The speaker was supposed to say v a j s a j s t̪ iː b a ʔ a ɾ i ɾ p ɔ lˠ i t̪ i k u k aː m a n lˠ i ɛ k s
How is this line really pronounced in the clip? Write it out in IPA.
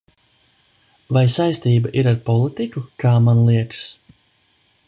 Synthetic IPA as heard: v a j s a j s t̪ iː b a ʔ i ɾ a ɾ p ɔ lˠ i t̪ i k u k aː m a n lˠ i ɛ k s